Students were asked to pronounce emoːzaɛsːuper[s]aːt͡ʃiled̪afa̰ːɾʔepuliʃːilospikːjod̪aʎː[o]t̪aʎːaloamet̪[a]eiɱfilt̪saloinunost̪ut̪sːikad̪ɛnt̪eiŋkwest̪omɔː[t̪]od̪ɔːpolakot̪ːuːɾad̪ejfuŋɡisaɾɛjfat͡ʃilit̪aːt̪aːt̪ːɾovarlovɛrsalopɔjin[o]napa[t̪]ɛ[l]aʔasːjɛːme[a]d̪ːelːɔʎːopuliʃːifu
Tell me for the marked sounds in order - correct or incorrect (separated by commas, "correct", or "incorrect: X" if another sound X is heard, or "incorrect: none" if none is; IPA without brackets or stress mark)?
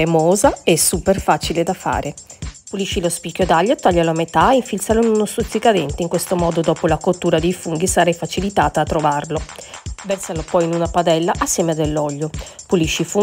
incorrect: f, correct, correct, incorrect: d̪, incorrect: u, incorrect: d̪, incorrect: lː, correct